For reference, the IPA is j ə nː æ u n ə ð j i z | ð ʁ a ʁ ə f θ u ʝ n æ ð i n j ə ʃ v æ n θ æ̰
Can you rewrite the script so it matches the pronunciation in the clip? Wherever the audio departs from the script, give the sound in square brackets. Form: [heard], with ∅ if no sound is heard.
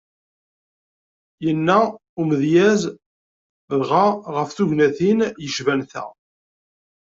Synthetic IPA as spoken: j ə nː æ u [m] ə ð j [æ] z | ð ʁ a ʁ ə f θ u ʝ n æ [θ] i n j ə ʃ v æ n θ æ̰